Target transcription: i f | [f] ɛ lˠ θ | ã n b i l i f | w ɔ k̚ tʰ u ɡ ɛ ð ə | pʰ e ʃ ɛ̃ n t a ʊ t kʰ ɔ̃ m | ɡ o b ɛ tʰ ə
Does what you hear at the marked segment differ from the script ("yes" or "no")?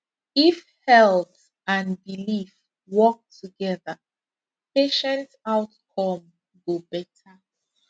yes